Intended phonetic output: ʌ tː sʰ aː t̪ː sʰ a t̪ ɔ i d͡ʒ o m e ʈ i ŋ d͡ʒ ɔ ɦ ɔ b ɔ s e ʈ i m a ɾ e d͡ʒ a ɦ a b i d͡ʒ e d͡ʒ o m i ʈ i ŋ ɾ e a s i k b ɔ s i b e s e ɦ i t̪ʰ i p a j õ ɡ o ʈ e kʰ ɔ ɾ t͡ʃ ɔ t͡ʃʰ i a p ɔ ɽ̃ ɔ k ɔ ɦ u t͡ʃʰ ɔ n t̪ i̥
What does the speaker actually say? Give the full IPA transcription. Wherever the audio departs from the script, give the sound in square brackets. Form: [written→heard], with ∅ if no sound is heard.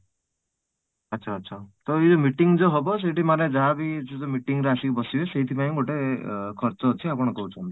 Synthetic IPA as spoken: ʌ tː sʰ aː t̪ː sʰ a t̪ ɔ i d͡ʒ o m [e→i] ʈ i ŋ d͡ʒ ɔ ɦ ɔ b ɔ s e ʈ i m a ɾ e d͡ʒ a ɦ a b i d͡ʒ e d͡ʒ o m i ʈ i ŋ ɾ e a s i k b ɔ s i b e s e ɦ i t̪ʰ i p a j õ ɡ o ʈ e kʰ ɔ ɾ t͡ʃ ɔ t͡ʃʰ i a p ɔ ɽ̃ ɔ k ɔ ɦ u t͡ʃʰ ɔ n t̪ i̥

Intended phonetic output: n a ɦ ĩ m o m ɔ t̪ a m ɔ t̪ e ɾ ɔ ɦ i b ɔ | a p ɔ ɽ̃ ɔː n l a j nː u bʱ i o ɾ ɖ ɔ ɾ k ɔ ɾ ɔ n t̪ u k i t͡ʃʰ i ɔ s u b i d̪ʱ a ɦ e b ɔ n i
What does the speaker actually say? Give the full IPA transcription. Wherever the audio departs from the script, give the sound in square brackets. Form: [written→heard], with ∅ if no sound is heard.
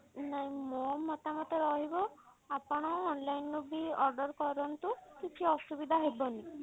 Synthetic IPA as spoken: n a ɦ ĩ m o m ɔ t̪ a m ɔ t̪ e ɾ ɔ ɦ i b ɔ | a p ɔ ɽ̃ ɔː n l a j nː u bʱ i [o→ɔ] ɾ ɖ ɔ ɾ k ɔ ɾ ɔ n t̪ u k i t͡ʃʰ i ɔ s u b i d̪ʱ a ɦ e b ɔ n i

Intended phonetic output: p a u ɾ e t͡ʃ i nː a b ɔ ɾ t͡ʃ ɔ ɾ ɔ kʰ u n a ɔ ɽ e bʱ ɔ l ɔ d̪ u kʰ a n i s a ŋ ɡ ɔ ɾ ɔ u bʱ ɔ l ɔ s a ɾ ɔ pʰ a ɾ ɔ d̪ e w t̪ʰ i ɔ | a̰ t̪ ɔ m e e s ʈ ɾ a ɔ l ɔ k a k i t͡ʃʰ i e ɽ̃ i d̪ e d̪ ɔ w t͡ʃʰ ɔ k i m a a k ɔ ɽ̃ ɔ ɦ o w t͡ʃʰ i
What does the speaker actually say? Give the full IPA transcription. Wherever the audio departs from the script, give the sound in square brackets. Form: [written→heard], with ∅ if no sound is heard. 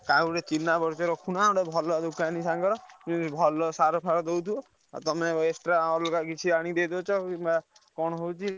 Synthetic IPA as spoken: [p→k] a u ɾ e t͡ʃ i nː a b ɔ ɾ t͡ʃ ɔ ɾ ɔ kʰ u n a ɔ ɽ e bʱ ɔ l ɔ d̪ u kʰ a n i s a ŋ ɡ ɔ ɾ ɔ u bʱ ɔ l ɔ s a ɾ ɔ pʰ a ɾ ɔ d̪ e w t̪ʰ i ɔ | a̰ t̪ ɔ m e e s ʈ ɾ a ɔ l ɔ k a k i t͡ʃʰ i [e→a] ɽ̃ i d̪ e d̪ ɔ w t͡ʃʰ ɔ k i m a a k ɔ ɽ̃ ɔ ɦ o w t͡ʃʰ i

